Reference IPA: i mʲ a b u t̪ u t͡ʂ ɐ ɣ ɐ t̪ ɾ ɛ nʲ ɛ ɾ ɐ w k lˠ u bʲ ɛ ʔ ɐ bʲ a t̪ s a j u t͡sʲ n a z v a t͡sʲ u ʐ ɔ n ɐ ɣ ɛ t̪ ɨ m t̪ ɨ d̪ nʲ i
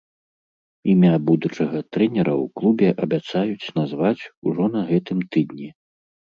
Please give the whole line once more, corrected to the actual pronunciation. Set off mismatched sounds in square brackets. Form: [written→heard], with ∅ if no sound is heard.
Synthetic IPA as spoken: i mʲ a b u [t̪→d̪] u t͡ʂ ɐ ɣ ɐ t̪ ɾ ɛ nʲ ɛ ɾ ɐ w k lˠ u bʲ ɛ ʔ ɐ bʲ a t̪ s a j u t͡sʲ n a z v a t͡sʲ u ʐ ɔ n ɐ ɣ ɛ t̪ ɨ m t̪ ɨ d̪ nʲ i